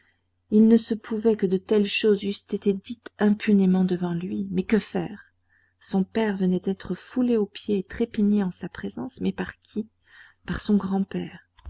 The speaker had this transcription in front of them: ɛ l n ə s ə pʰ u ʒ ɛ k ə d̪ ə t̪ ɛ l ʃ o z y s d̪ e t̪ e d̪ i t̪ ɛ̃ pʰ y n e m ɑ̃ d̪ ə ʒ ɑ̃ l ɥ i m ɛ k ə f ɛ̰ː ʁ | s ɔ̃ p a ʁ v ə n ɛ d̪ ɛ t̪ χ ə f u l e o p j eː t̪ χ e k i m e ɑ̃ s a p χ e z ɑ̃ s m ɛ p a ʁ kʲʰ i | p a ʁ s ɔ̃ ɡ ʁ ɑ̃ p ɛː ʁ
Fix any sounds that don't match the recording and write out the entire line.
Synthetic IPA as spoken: i l n ə s ə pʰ u v ɛ k ə d̪ ə t̪ ɛ l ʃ o z y s t̪ e t̪ e d̪ i t̪ ɛ̃ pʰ y n e m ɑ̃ d̪ ə v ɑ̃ l ɥ i m ɛ k ə f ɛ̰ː ʁ | s ɔ̃ p ɛ ʁ v ə n ɛ d̪ ɛ t̪ χ ə f u l e o p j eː t̪ χ e p i ɲ e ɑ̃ s a p χ e z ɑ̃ s m ɛ p a ʁ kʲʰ i | p a ʁ s ɔ̃ ɡ ʁ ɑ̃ p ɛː ʁ